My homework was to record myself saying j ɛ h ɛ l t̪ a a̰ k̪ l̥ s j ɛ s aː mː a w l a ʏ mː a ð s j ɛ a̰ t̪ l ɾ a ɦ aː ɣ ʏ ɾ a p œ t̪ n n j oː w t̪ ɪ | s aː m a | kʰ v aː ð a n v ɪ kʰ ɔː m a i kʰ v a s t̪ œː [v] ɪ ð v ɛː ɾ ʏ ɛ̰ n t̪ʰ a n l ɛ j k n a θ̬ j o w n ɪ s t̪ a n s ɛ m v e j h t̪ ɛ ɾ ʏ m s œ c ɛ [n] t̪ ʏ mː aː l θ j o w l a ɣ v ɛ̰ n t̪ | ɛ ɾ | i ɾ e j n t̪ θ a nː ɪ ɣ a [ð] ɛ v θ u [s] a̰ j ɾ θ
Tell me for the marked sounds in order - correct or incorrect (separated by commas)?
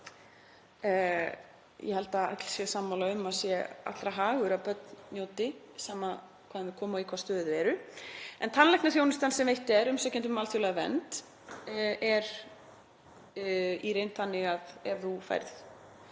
incorrect, correct, correct, incorrect